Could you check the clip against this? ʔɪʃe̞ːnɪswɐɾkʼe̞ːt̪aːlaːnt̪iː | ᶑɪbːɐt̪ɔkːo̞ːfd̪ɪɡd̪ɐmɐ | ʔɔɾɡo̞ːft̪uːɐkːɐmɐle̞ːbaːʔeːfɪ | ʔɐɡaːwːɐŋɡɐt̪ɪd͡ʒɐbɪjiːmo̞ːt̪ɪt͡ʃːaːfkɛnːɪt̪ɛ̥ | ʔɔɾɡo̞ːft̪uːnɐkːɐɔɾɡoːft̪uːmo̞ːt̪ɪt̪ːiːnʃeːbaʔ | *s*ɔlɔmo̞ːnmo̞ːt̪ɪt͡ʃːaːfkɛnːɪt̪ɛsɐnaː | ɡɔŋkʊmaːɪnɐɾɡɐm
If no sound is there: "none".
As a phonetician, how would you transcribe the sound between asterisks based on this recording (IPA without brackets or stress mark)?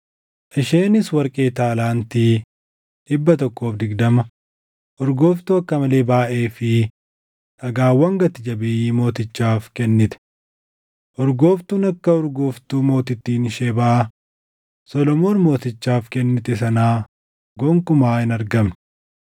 s